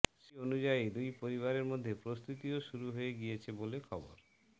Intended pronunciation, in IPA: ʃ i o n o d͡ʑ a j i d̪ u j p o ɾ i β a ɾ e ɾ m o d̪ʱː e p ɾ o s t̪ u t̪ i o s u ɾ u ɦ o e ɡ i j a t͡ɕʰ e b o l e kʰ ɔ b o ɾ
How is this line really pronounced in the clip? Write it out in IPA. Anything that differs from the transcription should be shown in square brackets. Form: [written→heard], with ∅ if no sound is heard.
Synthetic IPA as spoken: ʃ i o n [o→u] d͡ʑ a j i d̪ u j p o ɾ i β a ɾ e ɾ m o d̪ʱː e p ɾ o s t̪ u t̪ i o [s→ʃ] u ɾ u ɦ o e ɡ i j [a→e] t͡ɕʰ e b o l e kʰ ɔ b o ɾ